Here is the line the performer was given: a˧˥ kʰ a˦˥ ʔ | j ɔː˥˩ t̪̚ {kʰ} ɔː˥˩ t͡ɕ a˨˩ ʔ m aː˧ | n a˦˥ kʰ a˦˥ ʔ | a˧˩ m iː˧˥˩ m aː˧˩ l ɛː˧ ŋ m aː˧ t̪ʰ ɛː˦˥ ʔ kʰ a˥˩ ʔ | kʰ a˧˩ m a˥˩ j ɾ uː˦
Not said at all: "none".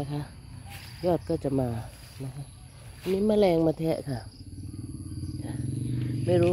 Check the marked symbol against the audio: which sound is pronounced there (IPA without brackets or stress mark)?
k